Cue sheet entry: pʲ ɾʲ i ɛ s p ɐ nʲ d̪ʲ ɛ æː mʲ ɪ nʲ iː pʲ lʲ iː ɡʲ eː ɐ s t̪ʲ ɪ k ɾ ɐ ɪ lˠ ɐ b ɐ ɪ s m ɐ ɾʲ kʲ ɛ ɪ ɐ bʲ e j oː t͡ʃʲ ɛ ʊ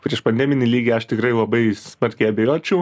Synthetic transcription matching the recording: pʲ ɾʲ i ɛ ʃ p ɐ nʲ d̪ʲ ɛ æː mʲ ɪ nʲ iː lʲ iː ɡʲ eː ɐ ʃ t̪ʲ ɪ k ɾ ɐ ɪ lˠ ɐ b ɐ ɪ s m ɐ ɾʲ kʲ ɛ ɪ ɐ bʲ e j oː t͡ʃʲ ɛ ʊ